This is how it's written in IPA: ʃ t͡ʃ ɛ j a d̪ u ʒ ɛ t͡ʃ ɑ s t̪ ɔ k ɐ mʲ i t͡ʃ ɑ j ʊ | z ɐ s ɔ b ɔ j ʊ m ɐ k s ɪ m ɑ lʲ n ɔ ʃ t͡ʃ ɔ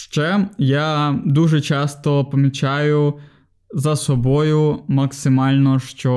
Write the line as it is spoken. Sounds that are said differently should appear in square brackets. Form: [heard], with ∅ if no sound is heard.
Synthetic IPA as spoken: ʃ t͡ʃ ɛ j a d̪ u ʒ ɛ t͡ʃ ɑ s t̪ ɔ [p] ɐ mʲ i t͡ʃ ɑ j ʊ | z ɐ s ɔ b ɔ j ʊ m ɐ k s ɪ m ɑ lʲ n ɔ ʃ t͡ʃ ɔ